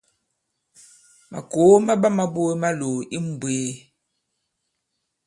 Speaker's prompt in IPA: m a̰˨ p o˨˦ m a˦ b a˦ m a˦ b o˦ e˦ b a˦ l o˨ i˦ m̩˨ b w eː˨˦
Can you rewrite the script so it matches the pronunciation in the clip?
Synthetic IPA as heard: m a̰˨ k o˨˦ m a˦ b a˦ m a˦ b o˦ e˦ m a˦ l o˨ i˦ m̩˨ b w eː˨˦